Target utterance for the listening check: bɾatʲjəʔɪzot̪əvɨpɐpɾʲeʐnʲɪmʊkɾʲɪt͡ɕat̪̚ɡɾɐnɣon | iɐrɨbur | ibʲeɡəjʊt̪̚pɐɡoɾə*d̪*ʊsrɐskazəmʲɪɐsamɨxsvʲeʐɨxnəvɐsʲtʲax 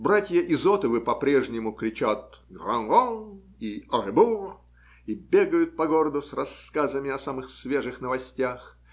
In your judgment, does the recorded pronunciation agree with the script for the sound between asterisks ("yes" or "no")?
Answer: yes